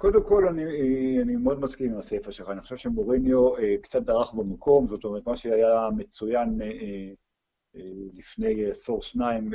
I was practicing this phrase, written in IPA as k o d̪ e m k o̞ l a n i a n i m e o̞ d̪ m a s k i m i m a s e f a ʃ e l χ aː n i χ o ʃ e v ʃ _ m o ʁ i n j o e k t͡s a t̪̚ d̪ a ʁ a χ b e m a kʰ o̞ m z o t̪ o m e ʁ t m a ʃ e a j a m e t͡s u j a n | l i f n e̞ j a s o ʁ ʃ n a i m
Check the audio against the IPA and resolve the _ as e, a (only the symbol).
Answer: e